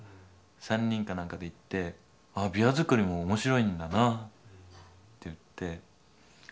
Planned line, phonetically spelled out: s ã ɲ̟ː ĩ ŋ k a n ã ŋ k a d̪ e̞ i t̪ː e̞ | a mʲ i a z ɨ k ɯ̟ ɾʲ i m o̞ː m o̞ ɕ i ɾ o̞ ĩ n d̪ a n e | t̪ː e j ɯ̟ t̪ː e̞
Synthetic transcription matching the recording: s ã ɲ̟ː ĩ ŋ k a n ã ŋ k a d̪ e̞ i t̪ː e̞ | a bʲ i a z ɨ k ɯ̟ ɾʲ i m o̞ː m o̞ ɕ i ɾ o̞ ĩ n d̪ a n a | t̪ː e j ɯ̟ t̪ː e̞